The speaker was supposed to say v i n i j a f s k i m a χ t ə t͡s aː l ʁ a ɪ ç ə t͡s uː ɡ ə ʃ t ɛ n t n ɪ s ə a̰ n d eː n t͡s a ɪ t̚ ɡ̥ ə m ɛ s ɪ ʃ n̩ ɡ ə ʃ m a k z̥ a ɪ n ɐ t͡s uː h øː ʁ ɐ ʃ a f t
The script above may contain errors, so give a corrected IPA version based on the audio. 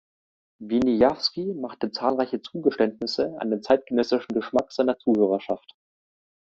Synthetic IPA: v i n i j a f s k i m a χ t ə t͡s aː l ʁ a ɪ ç ə t͡s uː ɡ ə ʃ t ɛ n t n ɪ s ə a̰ n d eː n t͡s a ɪ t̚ ɡ̥ ə n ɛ s ɪ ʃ n̩ ɡ ə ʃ m a k z̥ a ɪ n ɐ t͡s uː h øː ʁ ɐ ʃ a f t